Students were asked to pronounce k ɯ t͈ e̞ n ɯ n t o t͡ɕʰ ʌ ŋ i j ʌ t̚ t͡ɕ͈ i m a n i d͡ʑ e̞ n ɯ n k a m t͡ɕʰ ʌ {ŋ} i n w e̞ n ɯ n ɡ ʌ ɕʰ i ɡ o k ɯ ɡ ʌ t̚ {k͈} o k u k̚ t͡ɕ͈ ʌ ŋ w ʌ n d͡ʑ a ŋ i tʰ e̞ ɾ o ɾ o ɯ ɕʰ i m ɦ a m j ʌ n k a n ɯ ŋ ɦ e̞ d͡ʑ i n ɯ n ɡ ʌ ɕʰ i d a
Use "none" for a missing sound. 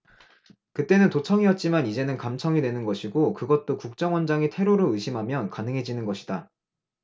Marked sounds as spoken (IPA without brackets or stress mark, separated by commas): ŋ, t͈